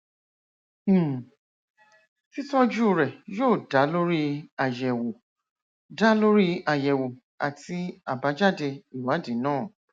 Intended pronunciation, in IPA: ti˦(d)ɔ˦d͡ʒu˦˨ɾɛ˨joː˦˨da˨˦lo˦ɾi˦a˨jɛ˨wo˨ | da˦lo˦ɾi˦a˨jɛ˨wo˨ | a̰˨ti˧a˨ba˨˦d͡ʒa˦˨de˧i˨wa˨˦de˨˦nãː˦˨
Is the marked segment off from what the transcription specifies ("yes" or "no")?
yes